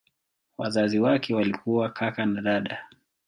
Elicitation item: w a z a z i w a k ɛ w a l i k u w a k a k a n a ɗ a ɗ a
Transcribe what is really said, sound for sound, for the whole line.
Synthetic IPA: w a z a z i w a k ɛ w a l i k u w a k a k a n a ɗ a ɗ a